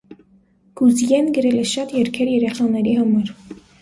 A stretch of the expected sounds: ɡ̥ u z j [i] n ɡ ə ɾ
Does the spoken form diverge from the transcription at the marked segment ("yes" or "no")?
yes